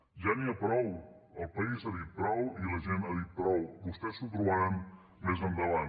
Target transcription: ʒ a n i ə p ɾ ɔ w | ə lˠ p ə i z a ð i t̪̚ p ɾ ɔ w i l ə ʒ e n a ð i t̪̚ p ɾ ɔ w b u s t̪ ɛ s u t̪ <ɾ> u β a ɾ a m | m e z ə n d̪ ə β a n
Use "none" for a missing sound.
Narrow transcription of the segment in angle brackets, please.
ɾ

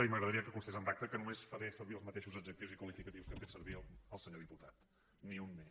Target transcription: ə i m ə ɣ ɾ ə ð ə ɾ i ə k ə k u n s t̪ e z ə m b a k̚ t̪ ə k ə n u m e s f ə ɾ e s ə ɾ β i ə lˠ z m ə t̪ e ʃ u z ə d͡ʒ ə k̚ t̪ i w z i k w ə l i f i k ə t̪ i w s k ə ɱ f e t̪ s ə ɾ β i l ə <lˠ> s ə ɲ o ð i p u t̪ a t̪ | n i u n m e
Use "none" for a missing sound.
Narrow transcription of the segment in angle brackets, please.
lˠ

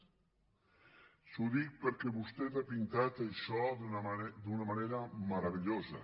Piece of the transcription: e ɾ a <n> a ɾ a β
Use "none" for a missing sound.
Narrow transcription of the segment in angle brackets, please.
m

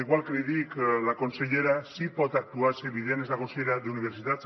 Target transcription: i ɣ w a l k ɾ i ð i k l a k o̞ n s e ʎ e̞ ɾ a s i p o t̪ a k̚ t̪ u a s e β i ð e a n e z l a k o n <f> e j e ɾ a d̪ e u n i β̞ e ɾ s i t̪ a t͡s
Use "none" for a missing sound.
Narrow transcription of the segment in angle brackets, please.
s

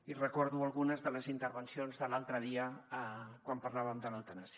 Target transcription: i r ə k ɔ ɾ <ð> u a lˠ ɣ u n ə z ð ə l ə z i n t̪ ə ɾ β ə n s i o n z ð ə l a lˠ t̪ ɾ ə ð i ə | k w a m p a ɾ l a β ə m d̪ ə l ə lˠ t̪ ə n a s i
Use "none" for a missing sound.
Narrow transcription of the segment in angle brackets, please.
ð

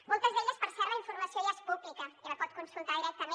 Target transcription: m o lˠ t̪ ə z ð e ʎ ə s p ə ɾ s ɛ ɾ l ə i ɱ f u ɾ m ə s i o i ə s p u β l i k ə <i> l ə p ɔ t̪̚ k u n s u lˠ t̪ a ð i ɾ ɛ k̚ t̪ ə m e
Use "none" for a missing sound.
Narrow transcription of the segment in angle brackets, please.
i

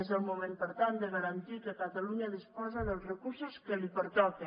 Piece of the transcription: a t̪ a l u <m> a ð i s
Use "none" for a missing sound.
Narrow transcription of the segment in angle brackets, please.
ɲ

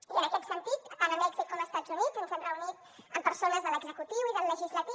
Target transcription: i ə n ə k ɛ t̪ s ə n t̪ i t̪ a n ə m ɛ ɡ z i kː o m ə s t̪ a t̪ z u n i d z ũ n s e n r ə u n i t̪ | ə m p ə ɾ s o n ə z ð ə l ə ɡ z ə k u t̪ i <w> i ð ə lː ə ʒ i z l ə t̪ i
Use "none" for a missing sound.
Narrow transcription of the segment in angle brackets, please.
w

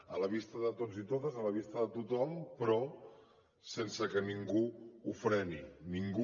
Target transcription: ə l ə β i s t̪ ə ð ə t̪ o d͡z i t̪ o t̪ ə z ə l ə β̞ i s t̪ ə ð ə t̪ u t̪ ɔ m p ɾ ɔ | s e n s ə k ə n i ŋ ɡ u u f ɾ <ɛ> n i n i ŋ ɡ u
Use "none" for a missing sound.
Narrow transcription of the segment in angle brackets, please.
ɛ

